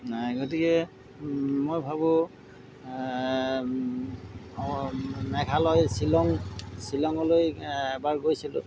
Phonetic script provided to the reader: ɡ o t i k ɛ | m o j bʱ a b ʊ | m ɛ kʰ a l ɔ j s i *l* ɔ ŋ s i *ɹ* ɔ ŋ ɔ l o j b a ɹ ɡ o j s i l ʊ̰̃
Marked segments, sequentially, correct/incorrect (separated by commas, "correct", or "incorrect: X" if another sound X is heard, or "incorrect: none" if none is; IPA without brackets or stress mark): correct, incorrect: l